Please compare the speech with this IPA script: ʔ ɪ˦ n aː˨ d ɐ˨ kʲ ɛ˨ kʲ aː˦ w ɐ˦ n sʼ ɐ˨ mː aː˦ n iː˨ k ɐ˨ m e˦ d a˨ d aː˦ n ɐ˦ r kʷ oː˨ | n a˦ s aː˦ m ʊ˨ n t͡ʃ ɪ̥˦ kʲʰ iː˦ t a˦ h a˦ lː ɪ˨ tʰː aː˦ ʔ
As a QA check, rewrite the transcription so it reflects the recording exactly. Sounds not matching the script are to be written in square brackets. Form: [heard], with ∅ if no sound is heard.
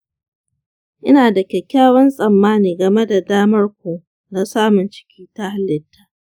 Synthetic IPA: ʔ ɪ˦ n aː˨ d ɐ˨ kʲ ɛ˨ kʲ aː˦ w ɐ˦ n sʼ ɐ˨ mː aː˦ n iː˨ [ɡ] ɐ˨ m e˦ d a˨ d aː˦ [m] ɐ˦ r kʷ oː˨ | n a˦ s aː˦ m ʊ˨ n t͡ʃ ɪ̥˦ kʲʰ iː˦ t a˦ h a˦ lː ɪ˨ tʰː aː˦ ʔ